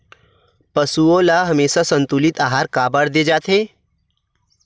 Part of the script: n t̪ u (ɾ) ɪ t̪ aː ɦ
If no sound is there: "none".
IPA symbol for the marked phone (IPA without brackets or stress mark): l